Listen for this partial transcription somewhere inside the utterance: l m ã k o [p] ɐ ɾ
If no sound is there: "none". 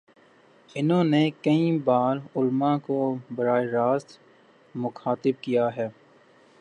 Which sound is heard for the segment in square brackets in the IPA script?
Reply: b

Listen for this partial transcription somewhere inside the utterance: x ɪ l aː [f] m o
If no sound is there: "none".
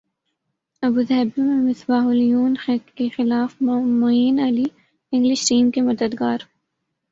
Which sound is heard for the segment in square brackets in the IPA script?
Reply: f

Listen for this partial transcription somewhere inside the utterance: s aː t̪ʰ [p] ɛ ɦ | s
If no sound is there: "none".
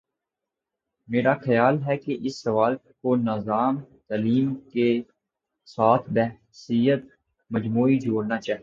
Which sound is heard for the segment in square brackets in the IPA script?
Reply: b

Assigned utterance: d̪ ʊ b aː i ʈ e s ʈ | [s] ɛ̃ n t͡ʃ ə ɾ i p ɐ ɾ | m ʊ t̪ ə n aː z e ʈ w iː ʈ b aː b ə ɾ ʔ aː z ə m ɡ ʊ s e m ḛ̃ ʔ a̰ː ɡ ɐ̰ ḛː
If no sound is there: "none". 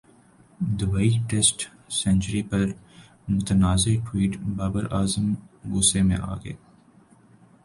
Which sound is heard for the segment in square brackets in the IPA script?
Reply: s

